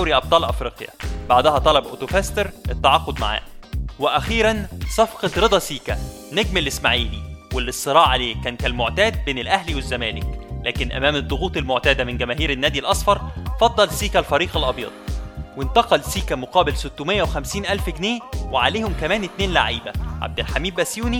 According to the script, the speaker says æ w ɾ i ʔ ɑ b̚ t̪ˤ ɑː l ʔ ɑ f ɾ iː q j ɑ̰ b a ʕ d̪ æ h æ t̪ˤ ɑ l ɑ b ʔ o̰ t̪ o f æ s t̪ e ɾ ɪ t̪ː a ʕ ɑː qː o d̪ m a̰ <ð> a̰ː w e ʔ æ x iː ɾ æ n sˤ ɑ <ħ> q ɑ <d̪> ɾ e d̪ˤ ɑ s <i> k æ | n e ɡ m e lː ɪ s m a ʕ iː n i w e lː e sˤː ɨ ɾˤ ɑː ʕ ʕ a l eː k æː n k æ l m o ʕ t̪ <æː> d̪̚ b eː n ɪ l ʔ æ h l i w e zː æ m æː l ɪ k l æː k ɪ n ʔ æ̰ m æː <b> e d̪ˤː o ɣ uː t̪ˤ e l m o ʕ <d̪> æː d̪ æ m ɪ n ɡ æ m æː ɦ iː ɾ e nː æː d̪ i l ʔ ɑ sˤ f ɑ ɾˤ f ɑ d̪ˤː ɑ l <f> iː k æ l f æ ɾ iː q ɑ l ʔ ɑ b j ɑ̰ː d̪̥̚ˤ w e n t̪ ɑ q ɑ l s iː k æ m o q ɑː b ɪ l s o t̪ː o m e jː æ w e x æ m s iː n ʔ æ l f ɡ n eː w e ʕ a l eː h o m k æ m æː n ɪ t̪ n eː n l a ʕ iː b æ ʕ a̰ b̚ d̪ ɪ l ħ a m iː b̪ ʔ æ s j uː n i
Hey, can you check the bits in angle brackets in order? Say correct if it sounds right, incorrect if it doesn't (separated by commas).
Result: incorrect, incorrect, incorrect, incorrect, correct, incorrect, incorrect, incorrect